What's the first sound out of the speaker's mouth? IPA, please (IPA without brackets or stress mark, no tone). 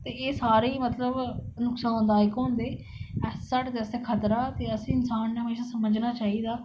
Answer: t̪